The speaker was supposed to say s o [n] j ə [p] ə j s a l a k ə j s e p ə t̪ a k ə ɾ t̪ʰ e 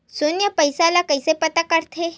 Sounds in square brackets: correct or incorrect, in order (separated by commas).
correct, correct